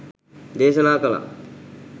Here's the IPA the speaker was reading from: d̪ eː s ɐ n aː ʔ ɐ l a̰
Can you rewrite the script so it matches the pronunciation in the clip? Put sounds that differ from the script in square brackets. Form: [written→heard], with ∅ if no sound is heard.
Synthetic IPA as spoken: d̪ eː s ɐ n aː [ʔ→k] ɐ l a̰